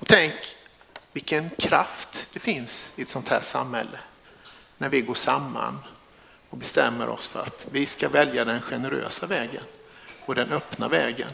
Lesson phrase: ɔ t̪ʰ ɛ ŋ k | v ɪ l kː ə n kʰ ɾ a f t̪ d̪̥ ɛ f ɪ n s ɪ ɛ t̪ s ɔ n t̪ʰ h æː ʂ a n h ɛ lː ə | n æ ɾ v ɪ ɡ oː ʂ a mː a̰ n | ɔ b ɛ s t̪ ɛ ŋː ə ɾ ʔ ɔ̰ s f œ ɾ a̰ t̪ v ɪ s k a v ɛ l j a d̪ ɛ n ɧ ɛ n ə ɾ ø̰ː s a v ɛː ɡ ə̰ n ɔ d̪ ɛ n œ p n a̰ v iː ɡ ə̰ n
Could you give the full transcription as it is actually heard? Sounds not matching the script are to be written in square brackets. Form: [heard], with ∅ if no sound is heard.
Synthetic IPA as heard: ɔ t̪ʰ ɛ ŋ k | v ɪ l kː ə n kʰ ɾ a f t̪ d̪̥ ɛ f ɪ n s ɪ ɛ t̪ s ɔ n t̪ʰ h æː ʂ a [m] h ɛ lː ə | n æ ɾ v ɪ ɡ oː ʂ a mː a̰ n | ɔ b ɛ s t̪ ɛ [mː] ə ɾ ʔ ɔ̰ s f œ ɾ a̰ t̪ v ɪ s k a v ɛ l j a d̪ ɛ n ɧ ɛ n ə ɾ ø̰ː s a v ɛː ɡ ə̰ n ɔ d̪ ɛ n œ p n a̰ v [ɛː] ɡ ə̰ n